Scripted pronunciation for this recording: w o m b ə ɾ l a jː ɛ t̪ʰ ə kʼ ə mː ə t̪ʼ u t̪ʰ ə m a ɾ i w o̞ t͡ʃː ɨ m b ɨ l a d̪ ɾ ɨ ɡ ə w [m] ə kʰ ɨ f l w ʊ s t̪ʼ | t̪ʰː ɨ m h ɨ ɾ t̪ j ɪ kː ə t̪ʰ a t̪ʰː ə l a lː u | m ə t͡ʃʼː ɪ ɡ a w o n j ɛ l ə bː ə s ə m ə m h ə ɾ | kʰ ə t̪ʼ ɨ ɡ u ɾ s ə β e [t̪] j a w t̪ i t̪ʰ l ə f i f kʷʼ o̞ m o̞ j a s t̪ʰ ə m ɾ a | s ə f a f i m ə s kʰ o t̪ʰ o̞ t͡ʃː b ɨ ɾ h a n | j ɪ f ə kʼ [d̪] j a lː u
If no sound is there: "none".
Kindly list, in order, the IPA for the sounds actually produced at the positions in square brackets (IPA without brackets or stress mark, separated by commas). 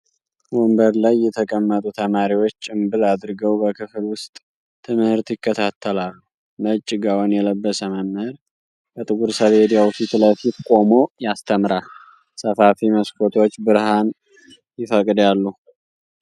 b, d̪, d̪